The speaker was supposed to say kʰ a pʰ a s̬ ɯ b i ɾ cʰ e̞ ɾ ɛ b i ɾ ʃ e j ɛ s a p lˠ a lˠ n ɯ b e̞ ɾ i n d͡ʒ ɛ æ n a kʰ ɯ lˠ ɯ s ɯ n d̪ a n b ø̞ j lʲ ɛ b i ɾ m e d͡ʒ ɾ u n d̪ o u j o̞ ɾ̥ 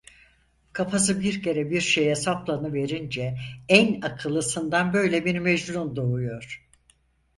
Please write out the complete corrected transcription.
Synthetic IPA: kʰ a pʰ a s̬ ɯ b i ɾ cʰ e̞ ɾ ɛ b i ɾ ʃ e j ɛ s a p lˠ a n ɯ v e̞ ɾ i n d͡ʒ ɛ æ n a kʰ ɯ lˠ ɯ s ɯ n d̪ a n b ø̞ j lʲ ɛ b i ɾ m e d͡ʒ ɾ u n d̪ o u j o̞ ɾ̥